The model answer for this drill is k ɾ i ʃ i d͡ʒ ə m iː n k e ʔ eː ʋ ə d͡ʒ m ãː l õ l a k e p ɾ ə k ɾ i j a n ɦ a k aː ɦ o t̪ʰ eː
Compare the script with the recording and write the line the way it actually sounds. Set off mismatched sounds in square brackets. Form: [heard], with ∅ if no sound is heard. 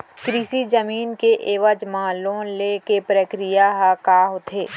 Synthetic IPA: k ɾ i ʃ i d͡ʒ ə m iː n k e ʔ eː ʋ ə d͡ʒ m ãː l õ l [e] k e p ɾ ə k ɾ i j a [∅] ɦ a k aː ɦ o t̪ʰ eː